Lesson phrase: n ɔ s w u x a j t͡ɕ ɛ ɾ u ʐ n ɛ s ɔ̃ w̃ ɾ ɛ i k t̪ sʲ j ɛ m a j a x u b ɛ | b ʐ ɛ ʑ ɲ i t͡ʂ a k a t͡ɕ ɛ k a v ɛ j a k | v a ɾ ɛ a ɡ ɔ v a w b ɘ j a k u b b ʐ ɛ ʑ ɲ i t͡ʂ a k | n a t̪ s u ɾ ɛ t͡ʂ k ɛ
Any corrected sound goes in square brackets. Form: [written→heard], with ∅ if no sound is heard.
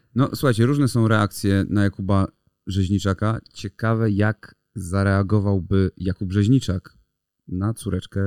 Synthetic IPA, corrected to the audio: n ɔ s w u x a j t͡ɕ ɛ ɾ u ʐ n ɛ s ɔ̃ w̃ ɾ ɛ [i→a] k t̪ sʲ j ɛ [m→n] a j a [x→k] u b [ɛ→a] | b ʐ ɛ ʑ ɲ i t͡ʂ a k a t͡ɕ ɛ k a v ɛ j a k | [v→z] a ɾ ɛ a ɡ ɔ v a w b ɘ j a k u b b ʐ ɛ ʑ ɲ i t͡ʂ a k | n a t̪ s u ɾ ɛ t͡ʂ k ɛ